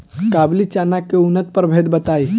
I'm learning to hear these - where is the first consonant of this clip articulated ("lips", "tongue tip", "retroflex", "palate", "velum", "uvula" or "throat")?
velum